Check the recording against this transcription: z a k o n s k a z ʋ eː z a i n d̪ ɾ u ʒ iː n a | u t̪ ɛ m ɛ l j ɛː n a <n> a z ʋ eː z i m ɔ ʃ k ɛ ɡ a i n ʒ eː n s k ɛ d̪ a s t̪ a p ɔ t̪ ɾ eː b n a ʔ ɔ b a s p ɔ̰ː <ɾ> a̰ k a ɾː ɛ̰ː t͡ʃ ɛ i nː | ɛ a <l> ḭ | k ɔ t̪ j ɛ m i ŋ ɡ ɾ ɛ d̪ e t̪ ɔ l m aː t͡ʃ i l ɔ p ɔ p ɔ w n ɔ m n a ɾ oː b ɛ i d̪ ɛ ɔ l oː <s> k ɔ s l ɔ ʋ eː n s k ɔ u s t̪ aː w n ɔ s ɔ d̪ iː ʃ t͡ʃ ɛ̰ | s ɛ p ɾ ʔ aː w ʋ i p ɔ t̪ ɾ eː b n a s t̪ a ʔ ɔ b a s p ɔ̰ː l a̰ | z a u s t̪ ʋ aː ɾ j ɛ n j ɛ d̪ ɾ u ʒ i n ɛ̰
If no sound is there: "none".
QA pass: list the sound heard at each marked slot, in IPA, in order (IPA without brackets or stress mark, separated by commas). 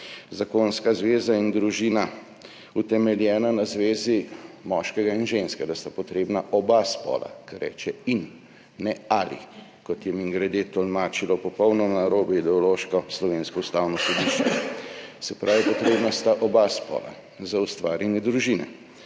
n, l, l, ʃ